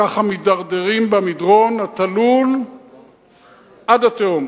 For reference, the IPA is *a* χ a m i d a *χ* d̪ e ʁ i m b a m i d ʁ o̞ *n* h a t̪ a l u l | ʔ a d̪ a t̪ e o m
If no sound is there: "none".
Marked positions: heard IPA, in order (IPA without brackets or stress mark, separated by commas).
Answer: a, ʁ, n